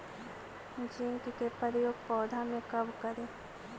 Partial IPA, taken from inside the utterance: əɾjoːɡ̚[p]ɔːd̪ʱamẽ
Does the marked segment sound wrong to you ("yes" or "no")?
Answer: no